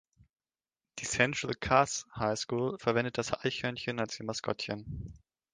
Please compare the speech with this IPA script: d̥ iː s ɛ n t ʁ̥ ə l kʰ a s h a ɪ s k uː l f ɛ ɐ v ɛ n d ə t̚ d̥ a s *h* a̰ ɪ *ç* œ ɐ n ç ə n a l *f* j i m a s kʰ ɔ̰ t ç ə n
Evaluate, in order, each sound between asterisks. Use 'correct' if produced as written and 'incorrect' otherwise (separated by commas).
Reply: correct, correct, incorrect